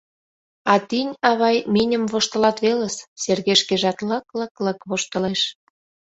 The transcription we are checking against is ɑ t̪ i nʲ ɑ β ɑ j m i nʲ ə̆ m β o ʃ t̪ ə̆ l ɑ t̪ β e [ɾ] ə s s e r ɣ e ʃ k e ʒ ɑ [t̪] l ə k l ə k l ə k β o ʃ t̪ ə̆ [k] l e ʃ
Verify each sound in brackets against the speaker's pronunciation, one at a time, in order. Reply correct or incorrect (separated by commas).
incorrect, correct, incorrect